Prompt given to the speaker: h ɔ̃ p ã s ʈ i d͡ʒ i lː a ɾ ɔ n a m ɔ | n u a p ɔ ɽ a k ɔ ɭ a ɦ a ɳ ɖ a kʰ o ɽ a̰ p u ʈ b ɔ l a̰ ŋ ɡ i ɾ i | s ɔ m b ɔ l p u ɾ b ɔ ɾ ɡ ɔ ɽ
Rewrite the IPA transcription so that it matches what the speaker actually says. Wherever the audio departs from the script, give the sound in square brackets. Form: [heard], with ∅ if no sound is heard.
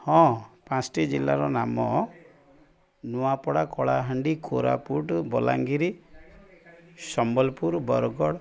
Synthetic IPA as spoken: h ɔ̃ p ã s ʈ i d͡ʒ i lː a ɾ ɔ n a m ɔ | n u a p ɔ ɽ a k ɔ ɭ a ɦ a ɳ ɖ [i] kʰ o [ɾ] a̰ p u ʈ b ɔ l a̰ ŋ ɡ i ɾ i | s ɔ m b ɔ l p u ɾ b ɔ ɾ ɡ ɔ ɽ